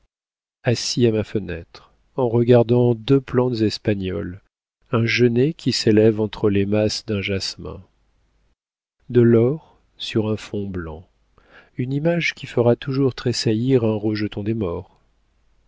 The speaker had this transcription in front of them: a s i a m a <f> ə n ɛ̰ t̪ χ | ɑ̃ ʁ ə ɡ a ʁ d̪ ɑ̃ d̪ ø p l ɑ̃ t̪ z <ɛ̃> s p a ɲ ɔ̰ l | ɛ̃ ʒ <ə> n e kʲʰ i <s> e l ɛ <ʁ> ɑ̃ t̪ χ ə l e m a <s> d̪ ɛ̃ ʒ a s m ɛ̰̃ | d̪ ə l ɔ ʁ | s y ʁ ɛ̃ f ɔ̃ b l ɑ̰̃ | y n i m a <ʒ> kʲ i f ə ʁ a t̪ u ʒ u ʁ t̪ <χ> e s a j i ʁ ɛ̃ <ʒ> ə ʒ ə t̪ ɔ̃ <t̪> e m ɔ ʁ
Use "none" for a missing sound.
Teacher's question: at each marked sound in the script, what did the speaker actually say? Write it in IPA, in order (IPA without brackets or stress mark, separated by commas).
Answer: f, ɛ, ə, s, v, s, ʒ, χ, ʁ, d̪